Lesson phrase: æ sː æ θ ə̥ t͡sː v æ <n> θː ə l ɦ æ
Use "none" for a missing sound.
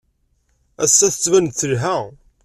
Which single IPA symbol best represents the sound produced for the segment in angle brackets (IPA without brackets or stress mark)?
n